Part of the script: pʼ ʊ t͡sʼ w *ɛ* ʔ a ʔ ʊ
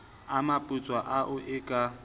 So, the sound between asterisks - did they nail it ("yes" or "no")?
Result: no